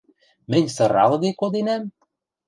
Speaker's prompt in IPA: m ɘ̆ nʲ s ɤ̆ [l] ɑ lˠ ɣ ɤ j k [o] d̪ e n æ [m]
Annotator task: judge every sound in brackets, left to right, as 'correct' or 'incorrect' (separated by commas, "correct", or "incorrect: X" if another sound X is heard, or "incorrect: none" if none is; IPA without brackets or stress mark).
incorrect: ɾ, correct, correct